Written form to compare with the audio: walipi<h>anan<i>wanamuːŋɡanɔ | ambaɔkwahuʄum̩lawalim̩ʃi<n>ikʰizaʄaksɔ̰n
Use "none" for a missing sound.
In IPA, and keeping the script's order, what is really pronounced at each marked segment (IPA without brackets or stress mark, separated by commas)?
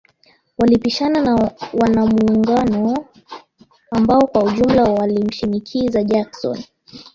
ʃ, a, n